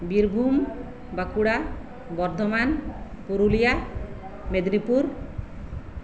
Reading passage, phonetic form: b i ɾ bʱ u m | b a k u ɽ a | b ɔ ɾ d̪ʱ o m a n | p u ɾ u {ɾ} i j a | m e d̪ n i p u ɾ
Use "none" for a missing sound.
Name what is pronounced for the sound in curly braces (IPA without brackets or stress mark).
l